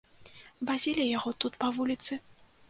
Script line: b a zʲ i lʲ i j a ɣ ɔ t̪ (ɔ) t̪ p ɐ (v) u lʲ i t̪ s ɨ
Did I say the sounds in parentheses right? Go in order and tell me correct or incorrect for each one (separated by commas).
incorrect, correct